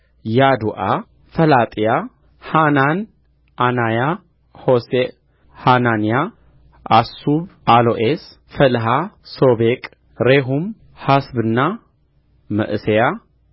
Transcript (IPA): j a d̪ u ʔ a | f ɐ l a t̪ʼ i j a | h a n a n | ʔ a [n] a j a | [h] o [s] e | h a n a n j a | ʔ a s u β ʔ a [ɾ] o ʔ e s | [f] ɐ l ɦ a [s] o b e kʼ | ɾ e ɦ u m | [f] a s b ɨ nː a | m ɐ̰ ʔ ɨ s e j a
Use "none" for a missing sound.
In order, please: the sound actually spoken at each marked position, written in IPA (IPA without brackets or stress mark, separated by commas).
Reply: n, h, s, l, f, s, h